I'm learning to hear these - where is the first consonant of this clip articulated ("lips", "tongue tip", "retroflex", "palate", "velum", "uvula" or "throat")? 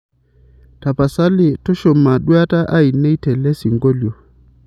tongue tip